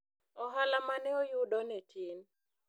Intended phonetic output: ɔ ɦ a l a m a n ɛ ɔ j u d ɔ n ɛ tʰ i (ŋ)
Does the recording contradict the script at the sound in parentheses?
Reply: yes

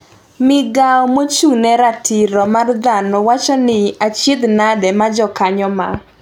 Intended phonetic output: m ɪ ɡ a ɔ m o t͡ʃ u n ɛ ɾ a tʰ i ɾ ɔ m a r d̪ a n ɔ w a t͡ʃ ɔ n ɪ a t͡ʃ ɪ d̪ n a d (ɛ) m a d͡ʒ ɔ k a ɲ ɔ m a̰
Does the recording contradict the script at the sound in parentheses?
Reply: no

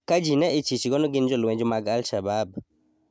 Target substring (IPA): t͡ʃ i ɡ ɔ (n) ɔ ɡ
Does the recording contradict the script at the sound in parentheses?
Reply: no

